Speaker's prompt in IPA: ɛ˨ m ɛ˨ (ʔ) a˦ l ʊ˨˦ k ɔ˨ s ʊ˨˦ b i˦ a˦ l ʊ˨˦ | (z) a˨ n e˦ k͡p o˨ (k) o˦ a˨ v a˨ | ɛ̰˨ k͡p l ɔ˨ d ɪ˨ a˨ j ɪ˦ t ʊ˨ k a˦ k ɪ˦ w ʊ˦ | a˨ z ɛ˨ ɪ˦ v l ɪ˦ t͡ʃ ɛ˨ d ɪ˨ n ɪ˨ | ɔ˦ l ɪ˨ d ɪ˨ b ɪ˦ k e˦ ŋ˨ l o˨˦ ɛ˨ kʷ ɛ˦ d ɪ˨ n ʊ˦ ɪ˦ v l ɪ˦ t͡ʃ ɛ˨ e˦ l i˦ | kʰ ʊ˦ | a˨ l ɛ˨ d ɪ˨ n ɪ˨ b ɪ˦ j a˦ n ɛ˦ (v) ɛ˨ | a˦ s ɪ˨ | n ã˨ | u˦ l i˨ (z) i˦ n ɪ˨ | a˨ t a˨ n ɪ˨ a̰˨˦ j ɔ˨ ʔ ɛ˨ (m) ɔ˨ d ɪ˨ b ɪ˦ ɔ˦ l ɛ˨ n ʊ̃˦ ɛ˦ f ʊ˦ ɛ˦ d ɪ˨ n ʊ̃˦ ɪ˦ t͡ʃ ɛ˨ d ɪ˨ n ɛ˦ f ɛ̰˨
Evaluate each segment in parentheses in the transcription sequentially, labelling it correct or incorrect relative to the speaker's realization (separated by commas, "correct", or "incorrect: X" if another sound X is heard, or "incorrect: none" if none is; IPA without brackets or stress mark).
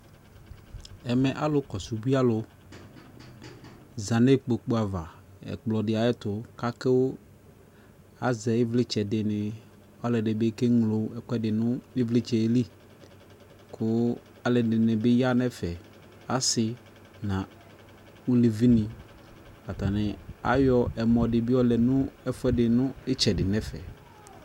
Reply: correct, correct, incorrect: k͡p, incorrect: f, incorrect: v, correct